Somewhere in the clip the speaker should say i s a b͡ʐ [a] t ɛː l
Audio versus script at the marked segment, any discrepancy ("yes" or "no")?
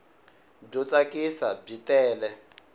yes